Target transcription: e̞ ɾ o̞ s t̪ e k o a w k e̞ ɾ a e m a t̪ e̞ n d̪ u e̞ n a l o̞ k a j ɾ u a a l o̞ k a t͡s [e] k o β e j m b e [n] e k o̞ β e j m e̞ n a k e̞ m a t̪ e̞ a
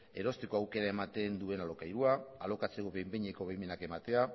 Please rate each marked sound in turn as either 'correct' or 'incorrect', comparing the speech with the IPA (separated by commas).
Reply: correct, incorrect